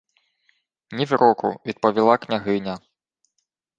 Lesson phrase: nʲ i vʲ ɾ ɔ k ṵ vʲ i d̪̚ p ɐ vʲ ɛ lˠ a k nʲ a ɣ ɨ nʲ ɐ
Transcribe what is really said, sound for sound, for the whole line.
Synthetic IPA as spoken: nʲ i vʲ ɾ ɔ k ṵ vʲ i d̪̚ p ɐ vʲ i lˠ a k nʲ a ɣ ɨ nʲ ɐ